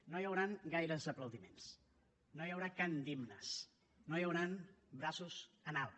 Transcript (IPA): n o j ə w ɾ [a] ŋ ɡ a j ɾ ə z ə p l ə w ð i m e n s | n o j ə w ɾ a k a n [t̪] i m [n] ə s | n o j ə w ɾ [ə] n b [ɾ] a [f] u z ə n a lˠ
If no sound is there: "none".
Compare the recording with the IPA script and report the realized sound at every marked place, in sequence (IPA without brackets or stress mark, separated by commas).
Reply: a, d̪, n, a, ɾ, s